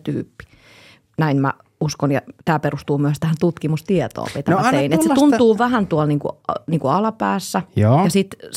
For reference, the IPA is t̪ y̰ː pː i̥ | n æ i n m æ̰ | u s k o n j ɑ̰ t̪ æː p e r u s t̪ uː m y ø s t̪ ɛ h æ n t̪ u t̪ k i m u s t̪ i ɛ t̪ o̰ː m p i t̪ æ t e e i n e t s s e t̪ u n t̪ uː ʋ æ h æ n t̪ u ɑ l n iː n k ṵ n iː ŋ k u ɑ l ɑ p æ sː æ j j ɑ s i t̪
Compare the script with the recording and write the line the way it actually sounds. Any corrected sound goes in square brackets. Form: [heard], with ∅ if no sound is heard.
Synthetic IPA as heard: t̪ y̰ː pː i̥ | n æ i n m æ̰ | u s k o n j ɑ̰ t̪ æː p e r u s t̪ uː m y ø s t̪ [æ] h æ n t̪ u t̪ k i m u s t̪ i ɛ t̪ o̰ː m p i t̪ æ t e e i n e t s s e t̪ u n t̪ uː ʋ æ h æ n t̪ u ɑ l n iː [ŋ] k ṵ n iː ŋ k u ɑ l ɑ p [æː] sː æ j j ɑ s i t̪